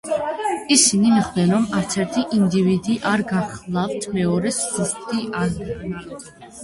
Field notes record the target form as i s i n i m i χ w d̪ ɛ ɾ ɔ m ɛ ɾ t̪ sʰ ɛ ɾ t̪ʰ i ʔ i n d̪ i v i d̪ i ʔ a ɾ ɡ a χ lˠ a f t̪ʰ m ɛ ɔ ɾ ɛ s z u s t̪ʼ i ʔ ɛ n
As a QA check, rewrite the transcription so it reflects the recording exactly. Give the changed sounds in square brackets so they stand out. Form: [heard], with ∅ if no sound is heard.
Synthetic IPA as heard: i s i n i m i χ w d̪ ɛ ɾ ɔ m [a] ɾ t̪ sʰ ɛ ɾ t̪ʰ i ʔ i n d̪ i v i d̪ i ʔ a ɾ ɡ a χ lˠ a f t̪ʰ m ɛ ɔ ɾ ɛ s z u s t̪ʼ i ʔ [a] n